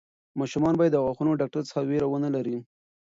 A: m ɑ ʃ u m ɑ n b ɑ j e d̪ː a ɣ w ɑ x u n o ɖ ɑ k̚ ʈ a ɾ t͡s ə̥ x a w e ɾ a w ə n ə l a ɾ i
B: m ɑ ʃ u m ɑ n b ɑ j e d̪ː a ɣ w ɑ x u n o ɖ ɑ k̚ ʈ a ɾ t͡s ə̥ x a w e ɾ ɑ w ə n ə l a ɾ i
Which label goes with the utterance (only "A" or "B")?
A